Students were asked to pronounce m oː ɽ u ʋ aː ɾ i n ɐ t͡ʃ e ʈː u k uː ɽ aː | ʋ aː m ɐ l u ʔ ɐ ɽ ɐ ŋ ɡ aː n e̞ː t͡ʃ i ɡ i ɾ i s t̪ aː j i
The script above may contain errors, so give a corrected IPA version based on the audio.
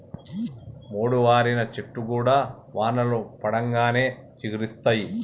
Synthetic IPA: m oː ɽ u ʋ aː ɾ i n ɐ t͡ʃ e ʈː u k uː ɽ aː | ʋ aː n ɐ l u p ɐ ɽ ɐ ŋ ɡ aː n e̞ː t͡ʃ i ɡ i ɾ i s t̪ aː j i